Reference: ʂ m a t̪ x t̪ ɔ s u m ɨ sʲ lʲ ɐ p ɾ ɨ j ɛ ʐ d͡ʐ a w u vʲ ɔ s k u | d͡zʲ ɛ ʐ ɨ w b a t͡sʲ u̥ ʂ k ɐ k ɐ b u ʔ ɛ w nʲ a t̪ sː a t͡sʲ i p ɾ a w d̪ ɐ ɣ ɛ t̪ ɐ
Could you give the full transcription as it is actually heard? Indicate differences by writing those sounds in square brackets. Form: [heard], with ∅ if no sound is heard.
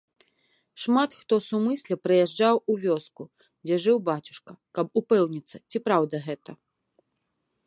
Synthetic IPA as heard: ʂ m a t̪ x t̪ ɔ s u m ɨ sʲ lʲ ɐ p ɾ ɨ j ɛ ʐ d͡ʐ a w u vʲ ɔ s k u | d͡zʲ ɛ ʐ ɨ w b a t͡sʲ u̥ ʂ k ɐ k ɐ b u [p] ɛ w nʲ [i] t̪ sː [ɐ] t͡sʲ i p ɾ a w d̪ ɐ ɣ ɛ t̪ ɐ